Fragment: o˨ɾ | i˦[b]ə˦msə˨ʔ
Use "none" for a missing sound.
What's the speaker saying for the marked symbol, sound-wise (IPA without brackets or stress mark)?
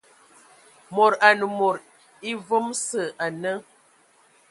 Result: v